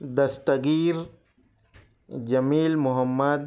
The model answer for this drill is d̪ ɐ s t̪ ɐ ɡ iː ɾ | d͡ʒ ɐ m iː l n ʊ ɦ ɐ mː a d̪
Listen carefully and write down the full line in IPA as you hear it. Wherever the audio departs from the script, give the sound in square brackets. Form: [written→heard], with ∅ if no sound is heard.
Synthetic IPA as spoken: d̪ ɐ s t̪ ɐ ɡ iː ɾ | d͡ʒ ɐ m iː l [n→m] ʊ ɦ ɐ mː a d̪

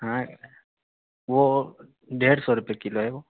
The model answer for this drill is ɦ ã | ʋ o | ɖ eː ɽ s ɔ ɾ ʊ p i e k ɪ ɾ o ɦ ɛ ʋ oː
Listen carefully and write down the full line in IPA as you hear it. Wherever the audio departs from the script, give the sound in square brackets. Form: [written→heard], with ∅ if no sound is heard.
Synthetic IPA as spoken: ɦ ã | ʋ o | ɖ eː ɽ s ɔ ɾ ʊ p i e k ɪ [ɾ→l] o ɦ ɛ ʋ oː

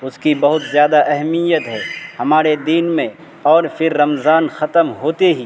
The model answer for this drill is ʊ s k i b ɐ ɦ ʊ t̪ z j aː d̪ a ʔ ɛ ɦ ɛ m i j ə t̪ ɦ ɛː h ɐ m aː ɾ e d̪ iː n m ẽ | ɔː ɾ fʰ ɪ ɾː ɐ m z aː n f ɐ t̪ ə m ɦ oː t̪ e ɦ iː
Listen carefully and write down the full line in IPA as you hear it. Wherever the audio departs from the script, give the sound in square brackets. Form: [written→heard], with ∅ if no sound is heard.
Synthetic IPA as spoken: ʊ s k i b ɐ ɦ ʊ t̪ z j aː d̪ a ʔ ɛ ɦ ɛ m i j ə t̪ ɦ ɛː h ɐ m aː ɾ e d̪ iː n m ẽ | ɔː ɾ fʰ ɪ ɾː ɐ m z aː n [f→x] ɐ t̪ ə m ɦ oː t̪ e ɦ iː

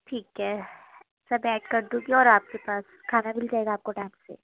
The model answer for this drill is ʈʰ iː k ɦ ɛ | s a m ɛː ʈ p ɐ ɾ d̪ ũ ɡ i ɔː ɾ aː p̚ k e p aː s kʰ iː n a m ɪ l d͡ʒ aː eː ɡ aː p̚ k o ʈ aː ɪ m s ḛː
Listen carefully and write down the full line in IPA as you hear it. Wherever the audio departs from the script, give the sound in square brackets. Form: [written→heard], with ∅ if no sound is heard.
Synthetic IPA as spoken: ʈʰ iː k ɦ ɛ | s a [m→b] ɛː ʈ [p→k] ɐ ɾ d̪ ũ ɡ i ɔː ɾ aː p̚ k e p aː s kʰ [iː→aː] n a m ɪ l d͡ʒ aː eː ɡ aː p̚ k o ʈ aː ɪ m s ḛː

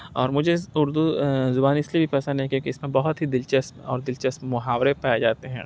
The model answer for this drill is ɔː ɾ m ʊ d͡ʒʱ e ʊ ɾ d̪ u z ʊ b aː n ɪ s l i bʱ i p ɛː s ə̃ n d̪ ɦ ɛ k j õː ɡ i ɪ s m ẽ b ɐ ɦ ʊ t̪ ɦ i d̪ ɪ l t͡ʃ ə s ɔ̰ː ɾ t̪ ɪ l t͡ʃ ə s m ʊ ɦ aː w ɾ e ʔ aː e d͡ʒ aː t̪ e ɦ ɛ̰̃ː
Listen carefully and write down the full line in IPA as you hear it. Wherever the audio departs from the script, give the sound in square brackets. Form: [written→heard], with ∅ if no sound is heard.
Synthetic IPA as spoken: ɔː ɾ m ʊ d͡ʒʱ e ʊ ɾ d̪ u z ʊ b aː n ɪ s l i bʱ i p ɛː s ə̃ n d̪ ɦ ɛ k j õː [ɡ→k] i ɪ s m ẽ b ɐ ɦ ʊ t̪ ɦ i d̪ ɪ l t͡ʃ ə s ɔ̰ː ɾ [t̪→d̪] ɪ l t͡ʃ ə s m ʊ ɦ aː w ɾ e [ʔ→p] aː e d͡ʒ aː t̪ e ɦ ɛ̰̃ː

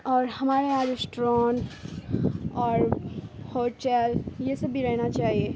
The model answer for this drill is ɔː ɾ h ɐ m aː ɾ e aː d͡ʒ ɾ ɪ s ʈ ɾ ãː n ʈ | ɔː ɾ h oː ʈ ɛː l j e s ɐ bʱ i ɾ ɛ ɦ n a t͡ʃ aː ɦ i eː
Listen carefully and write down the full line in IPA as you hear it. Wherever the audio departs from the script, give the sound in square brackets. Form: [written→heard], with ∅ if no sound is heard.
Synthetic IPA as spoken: ɔː ɾ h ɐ m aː ɾ e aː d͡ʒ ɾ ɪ s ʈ ɾ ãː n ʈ | ɔː ɾ h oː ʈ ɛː l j e s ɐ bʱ i ɾ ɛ ɦ n a t͡ʃ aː ɦ i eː

